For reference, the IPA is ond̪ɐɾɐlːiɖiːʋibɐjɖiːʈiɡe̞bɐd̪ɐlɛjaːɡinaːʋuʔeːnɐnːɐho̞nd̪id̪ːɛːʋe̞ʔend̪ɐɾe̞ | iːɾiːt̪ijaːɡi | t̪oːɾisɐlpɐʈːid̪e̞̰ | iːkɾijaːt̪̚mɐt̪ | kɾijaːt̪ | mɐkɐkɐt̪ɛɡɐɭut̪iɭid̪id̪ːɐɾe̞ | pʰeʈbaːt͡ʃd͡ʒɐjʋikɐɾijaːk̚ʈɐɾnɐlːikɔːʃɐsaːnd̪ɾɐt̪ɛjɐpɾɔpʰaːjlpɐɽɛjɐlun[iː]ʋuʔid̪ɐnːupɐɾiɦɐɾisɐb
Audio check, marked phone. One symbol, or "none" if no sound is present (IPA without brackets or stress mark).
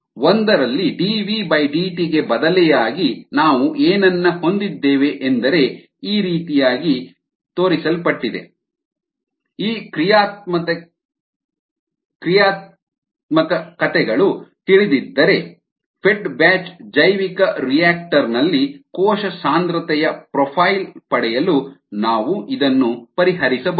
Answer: aː